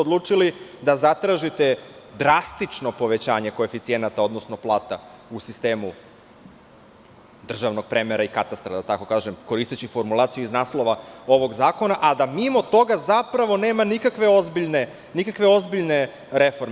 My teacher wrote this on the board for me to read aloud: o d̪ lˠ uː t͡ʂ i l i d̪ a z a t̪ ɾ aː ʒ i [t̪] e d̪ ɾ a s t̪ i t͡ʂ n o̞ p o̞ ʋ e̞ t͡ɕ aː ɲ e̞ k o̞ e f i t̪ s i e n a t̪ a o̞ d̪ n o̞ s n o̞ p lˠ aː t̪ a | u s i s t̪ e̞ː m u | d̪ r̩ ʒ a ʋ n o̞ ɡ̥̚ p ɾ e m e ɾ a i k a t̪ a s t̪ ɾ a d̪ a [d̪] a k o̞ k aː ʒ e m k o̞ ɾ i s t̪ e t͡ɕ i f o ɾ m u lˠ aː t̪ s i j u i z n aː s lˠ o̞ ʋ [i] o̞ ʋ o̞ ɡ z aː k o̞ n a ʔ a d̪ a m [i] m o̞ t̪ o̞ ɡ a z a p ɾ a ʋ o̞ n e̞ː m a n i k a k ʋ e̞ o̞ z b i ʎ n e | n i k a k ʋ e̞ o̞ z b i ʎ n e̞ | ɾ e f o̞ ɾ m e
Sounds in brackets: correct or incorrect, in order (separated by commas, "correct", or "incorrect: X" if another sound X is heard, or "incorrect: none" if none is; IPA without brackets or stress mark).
correct, incorrect: t̪, incorrect: a, correct